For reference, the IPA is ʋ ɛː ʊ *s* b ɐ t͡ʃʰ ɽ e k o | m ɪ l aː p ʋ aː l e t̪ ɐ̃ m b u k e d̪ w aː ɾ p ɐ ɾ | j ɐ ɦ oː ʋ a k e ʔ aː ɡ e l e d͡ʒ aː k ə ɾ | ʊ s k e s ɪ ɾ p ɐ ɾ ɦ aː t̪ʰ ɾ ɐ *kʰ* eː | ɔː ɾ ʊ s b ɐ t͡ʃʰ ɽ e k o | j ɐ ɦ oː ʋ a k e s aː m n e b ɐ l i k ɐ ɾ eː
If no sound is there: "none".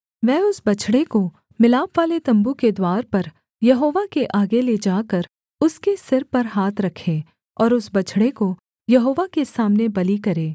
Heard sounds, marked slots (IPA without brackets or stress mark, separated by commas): s, kʰ